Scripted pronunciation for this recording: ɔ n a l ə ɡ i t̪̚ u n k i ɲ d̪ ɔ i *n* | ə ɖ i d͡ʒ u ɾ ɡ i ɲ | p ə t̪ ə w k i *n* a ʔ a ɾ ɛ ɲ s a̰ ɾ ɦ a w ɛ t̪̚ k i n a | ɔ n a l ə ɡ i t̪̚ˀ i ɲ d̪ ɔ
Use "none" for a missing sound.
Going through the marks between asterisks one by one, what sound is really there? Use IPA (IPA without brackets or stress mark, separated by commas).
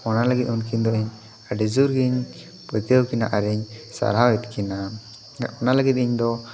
ɲ, n